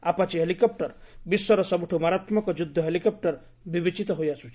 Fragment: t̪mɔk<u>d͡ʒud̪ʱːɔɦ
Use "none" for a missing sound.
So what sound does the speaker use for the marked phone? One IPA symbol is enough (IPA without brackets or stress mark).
ɔ